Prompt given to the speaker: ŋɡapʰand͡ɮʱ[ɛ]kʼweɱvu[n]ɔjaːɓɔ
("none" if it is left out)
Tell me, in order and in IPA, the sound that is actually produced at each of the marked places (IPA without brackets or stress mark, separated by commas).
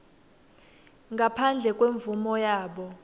ɛ, m